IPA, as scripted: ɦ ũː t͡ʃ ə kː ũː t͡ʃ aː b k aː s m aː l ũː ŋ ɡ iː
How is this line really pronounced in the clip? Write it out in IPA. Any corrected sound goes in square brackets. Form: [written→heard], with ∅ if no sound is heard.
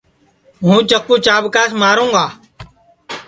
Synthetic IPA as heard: ɦ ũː t͡ʃ ə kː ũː t͡ʃ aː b k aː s m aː [l→ɾ] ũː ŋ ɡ [iː→aː]